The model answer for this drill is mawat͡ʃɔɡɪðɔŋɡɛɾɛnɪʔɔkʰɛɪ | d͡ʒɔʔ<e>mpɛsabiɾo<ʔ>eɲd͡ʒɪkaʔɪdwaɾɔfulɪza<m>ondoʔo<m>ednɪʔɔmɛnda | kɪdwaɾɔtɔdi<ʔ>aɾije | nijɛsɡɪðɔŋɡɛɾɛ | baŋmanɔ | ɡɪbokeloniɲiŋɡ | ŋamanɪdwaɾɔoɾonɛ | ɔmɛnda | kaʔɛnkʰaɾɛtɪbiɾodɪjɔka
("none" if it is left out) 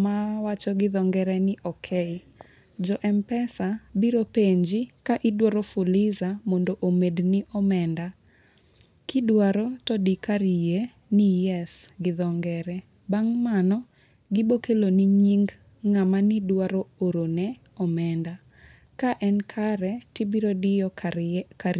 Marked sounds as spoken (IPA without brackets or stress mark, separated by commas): ɛ, p, m, m, k